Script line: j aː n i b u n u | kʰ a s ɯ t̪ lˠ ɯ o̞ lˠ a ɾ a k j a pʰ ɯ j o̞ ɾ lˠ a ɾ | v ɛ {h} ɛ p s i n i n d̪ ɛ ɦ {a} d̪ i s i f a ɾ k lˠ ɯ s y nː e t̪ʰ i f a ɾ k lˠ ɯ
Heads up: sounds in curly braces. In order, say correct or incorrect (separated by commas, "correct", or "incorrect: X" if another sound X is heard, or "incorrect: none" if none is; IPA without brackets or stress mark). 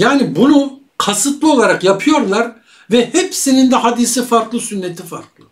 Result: correct, correct